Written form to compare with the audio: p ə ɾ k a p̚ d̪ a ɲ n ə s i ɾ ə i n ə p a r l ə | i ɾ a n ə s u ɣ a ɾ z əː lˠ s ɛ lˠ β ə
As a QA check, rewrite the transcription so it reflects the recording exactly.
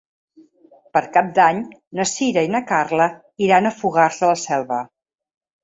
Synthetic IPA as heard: p ə ɾ k a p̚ d̪ a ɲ n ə s i ɾ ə i n ə k a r l ə | i ɾ a n ə f u ɣ a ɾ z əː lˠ s ɛ lˠ β ə